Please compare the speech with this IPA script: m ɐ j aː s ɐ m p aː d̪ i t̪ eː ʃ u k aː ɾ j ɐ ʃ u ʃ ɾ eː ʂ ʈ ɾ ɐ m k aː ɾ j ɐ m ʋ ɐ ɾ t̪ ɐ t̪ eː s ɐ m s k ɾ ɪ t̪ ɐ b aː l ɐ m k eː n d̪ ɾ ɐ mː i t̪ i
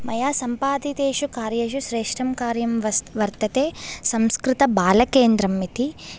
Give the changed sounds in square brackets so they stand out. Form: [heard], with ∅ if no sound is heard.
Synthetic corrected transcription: m ɐ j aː s ɐ m p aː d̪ i t̪ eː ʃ u k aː ɾ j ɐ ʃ u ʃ ɾ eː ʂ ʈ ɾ ɐ m k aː ɾ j ɐ m ʋ ɐ ɾ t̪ ɐ t̪ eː s ɐ m s k ɾ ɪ t̪ ɐ b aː l ɐ [∅] k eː n d̪ ɾ ɐ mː i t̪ i

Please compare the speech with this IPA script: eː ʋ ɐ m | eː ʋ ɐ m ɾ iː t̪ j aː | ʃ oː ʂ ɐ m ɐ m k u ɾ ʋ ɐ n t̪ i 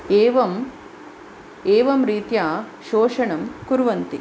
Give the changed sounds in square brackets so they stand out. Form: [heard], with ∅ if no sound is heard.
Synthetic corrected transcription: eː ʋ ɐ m | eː ʋ ɐ m ɾ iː t̪ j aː | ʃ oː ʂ ɐ [ɳ] ɐ m k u ɾ ʋ ɐ n t̪ i

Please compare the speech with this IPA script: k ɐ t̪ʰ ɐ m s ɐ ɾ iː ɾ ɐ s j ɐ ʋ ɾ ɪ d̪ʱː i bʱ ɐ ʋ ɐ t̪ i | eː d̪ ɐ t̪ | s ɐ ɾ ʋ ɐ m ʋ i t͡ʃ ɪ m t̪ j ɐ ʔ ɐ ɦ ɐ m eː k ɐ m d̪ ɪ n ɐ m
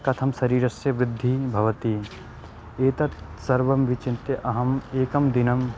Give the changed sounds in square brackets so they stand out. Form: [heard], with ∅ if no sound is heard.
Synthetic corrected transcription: k ɐ t̪ʰ ɐ m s ɐ ɾ iː ɾ ɐ s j ɐ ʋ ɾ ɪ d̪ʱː i bʱ ɐ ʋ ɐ t̪ i | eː [t̪] ɐ t̪ | s ɐ ɾ ʋ ɐ m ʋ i t͡ʃ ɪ [n] t̪ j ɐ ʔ ɐ ɦ ɐ m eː k ɐ m d̪ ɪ n ɐ m

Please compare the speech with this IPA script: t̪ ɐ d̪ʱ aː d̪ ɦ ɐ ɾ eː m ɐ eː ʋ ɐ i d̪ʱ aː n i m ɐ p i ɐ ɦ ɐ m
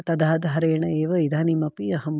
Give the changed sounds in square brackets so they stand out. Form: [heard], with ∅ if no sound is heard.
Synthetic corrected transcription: t̪ ɐ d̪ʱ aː d̪ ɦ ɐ ɾ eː [ɳ] ɐ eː ʋ ɐ i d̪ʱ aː n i m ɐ p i ɐ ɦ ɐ m

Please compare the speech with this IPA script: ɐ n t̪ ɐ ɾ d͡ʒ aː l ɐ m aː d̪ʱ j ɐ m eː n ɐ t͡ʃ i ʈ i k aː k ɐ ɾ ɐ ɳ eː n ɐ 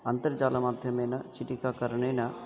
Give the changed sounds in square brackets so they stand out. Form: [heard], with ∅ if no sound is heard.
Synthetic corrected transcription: ɐ n t̪ ɐ ɾ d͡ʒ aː l ɐ m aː d̪ʱ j ɐ m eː n ɐ t͡ʃ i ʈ i k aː k ɐ ɾ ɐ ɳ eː n ɐ

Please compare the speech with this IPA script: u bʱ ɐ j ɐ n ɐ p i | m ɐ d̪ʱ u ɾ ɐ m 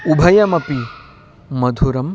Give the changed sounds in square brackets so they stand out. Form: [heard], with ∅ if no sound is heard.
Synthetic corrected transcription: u bʱ ɐ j ɐ [m] ɐ p i | m ɐ d̪ʱ u ɾ ɐ m

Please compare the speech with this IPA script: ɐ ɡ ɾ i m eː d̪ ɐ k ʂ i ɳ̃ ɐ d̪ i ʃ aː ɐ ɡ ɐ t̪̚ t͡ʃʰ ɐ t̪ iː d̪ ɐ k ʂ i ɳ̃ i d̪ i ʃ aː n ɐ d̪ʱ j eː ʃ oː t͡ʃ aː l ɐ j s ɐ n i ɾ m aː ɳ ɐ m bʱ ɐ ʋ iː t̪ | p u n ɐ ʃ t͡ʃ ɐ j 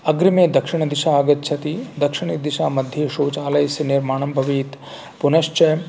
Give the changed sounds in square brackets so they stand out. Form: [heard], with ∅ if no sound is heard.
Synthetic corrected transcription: ɐ ɡ ɾ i m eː d̪ ɐ k ʂ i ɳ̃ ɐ d̪ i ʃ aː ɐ ɡ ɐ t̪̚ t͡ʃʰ ɐ t̪ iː d̪ ɐ k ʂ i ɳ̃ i d̪ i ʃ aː [m] ɐ d̪ʱ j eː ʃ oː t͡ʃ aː l ɐ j s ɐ n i ɾ m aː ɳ ɐ m bʱ ɐ ʋ iː t̪ | p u n ɐ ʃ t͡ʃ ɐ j

